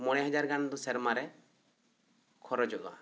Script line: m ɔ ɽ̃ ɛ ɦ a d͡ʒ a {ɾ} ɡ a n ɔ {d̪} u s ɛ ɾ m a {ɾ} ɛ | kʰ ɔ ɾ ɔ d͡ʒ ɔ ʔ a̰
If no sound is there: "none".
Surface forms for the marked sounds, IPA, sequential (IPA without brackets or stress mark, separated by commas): ɾ, d̪, ɾ